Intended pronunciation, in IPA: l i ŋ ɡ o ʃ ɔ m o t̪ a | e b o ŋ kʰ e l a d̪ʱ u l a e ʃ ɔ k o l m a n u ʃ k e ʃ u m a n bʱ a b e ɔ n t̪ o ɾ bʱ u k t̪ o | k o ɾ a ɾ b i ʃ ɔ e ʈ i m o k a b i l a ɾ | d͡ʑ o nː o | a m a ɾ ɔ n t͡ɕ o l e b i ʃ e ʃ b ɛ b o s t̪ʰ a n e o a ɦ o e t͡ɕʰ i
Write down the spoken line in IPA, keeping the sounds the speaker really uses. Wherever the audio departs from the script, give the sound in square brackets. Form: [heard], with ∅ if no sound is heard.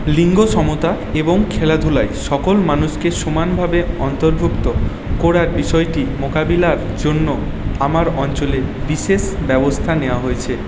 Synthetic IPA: l i ŋ ɡ o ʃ ɔ m o t̪ a | e b o ŋ kʰ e l a d̪ʱ u l a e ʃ ɔ k o l m a n u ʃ k e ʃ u m a n bʱ a b e ɔ n t̪ o ɾ bʱ u k t̪ o | k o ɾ a ɾ b i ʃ ɔ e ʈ i m o k a b i l a ɾ | d͡ʑ o nː o | a m a ɾ ɔ n t͡ɕ o l e b i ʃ e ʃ b ɛ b o s t̪ʰ a n e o a ɦ o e t͡ɕʰ [e]